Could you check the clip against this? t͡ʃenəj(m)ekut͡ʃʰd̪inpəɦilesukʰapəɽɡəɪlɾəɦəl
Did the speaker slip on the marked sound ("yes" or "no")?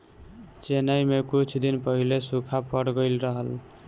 no